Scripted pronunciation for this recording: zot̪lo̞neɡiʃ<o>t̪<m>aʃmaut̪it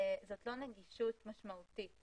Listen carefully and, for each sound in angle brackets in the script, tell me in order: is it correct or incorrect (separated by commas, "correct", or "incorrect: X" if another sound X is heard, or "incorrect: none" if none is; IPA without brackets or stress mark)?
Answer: incorrect: u, correct